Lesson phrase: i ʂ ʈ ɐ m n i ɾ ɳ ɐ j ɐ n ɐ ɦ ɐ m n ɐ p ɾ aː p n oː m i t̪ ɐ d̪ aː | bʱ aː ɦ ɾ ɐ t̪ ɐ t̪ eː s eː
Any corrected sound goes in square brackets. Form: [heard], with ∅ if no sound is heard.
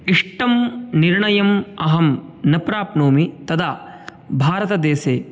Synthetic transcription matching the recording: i ʂ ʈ ɐ m n i ɾ ɳ ɐ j ɐ [m] ɐ ɦ ɐ m n ɐ p ɾ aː p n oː m i t̪ ɐ d̪ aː | bʱ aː [∅] ɾ ɐ t̪ ɐ [d̪] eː s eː